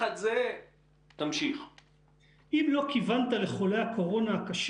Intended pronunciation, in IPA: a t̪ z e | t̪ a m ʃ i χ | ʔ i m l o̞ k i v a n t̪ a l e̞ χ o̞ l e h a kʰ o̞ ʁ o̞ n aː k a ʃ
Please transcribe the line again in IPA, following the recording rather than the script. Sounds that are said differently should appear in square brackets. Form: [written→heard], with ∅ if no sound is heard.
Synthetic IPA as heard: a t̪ z e | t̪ a m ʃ i χ | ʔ i m l o̞ k i v a n t̪ a l e̞ χ o̞ l e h a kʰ o̞ ʁ o̞ n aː k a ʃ